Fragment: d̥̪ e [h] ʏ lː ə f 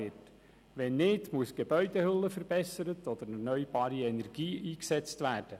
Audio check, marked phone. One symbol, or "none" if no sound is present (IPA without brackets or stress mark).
h